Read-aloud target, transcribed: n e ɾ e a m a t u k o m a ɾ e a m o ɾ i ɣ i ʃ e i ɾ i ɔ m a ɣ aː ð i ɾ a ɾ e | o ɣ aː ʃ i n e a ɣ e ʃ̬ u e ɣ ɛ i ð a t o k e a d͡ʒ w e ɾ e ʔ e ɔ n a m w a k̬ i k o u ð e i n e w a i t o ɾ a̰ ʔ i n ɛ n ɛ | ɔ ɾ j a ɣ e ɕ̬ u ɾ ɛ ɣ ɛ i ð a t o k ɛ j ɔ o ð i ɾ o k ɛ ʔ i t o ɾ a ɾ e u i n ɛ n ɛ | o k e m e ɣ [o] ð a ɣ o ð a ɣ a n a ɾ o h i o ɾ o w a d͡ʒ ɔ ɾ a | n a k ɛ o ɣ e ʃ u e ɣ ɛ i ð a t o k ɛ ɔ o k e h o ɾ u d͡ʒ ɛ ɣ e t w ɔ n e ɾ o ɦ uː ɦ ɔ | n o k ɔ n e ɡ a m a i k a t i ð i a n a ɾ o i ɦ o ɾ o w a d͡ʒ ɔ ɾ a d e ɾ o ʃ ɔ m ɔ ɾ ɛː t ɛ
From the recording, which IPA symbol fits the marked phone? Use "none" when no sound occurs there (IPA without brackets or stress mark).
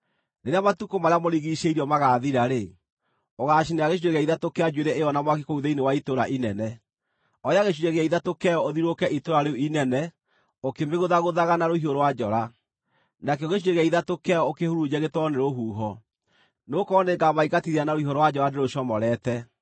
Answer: o